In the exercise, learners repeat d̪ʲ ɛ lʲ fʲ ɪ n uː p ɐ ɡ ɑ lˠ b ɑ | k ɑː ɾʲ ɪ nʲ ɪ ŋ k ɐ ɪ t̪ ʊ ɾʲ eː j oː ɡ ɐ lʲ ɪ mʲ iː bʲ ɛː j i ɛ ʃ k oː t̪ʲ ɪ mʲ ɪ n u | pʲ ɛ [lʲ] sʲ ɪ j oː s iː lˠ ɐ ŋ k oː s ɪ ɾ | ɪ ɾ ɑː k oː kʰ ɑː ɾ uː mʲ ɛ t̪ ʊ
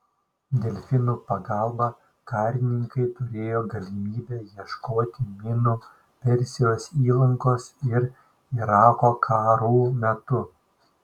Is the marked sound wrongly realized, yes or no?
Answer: yes